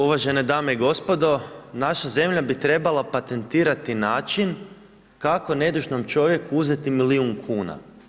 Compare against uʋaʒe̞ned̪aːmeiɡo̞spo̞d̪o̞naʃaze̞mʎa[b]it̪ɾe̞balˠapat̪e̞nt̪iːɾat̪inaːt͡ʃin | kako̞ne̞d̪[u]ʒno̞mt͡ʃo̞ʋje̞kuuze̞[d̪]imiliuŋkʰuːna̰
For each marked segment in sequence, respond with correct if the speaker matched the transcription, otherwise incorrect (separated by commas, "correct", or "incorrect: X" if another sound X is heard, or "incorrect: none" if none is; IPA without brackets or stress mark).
correct, correct, incorrect: t̪